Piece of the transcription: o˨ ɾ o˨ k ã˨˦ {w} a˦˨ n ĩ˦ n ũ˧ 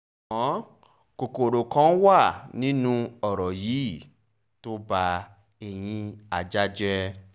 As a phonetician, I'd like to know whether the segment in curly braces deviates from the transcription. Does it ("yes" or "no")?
no